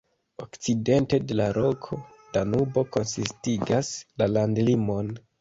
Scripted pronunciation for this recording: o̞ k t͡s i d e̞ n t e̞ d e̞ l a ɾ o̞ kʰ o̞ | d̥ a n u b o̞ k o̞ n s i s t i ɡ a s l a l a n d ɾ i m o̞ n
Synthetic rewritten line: o̞ k t͡s i d e̞ n t e̞ d e̞ l a ɾ o̞ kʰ o̞ | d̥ a n u b o̞ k o̞ n s i s t i ɡ a s l a l a n d l i m o̞ n